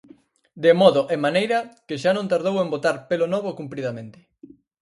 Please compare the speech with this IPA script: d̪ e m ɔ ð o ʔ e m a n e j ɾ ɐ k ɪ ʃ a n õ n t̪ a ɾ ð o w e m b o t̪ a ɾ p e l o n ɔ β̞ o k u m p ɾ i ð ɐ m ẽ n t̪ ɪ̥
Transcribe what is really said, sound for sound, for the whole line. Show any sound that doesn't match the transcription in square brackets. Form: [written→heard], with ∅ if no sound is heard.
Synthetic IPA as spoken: d̪ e m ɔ ð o ʔ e m a n e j ɾ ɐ k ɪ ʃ a n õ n t̪ a ɾ ð o w e m b o t̪ a ɾ p e l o n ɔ β̞ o k u m p ɾ i ð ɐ m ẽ n t̪ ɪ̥